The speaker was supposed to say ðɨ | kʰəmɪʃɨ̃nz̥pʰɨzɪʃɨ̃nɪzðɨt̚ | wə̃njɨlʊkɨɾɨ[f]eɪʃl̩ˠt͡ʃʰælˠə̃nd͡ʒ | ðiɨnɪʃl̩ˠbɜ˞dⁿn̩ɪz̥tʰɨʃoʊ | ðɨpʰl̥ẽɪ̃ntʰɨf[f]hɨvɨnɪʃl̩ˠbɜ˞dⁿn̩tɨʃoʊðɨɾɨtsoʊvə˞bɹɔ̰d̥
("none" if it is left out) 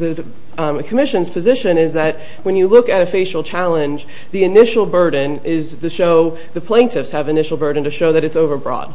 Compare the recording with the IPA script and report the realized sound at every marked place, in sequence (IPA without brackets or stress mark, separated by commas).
f, s